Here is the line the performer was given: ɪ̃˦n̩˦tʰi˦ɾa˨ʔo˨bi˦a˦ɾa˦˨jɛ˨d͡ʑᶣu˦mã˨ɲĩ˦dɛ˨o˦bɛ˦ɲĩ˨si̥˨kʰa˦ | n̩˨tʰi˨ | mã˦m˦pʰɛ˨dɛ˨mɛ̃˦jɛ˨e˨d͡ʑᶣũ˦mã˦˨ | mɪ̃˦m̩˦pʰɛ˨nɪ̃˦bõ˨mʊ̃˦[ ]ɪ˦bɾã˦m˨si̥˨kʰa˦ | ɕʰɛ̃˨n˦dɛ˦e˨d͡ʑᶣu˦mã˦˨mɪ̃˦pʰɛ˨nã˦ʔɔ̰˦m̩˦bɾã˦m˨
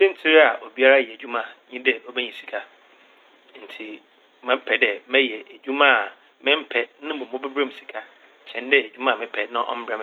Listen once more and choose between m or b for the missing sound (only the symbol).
b